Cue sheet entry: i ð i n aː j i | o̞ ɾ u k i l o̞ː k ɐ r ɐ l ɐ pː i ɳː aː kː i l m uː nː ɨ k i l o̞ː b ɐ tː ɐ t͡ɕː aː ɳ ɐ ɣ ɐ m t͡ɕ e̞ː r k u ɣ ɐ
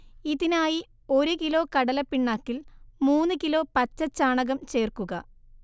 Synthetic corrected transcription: i ð i n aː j i | o̞ ɾ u k i l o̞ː k ɐ ɽ ɐ l ɐ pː i ɳː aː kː i l m uː nː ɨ k i l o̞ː p ɐ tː ɐ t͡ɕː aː ɳ ɐ ɣ ɐ m t͡ɕ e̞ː r k u ɣ ɐ